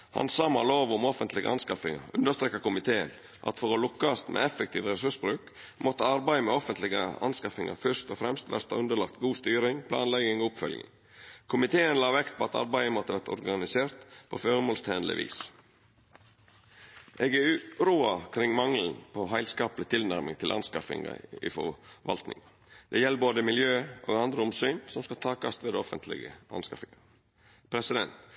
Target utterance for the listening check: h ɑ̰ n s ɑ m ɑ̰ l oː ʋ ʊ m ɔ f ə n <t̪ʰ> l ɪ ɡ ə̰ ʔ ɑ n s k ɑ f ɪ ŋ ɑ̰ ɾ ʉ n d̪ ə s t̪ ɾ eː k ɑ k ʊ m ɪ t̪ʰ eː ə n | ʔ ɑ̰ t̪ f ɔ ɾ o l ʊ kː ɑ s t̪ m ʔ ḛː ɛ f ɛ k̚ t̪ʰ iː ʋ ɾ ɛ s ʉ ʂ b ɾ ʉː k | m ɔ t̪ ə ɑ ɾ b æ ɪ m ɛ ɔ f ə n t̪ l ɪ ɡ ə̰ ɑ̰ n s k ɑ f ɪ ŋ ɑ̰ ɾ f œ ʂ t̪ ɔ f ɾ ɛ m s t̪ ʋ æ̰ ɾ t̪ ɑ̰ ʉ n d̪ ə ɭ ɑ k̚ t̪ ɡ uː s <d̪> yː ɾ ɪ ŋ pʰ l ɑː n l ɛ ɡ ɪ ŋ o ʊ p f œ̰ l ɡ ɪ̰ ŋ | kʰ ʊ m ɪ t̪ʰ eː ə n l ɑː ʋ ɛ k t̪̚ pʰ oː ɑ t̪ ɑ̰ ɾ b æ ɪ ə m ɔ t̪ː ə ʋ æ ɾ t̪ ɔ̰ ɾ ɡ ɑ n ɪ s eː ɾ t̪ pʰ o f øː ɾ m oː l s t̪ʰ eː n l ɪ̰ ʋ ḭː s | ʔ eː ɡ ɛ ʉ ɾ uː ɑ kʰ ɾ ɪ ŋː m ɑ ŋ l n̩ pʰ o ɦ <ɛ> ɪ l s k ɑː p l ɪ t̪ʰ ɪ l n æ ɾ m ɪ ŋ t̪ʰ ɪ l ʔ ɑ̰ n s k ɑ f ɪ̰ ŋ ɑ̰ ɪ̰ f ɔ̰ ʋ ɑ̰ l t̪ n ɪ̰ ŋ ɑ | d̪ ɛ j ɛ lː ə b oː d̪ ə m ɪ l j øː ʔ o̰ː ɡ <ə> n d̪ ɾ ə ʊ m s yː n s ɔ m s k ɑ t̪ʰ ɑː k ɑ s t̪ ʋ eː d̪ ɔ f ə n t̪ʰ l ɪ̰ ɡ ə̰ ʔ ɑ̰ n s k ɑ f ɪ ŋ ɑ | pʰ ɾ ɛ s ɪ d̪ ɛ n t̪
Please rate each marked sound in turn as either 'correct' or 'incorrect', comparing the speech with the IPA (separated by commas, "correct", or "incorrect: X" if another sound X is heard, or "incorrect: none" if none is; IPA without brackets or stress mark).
incorrect: t̪, incorrect: t̪, incorrect: æ, incorrect: ɑ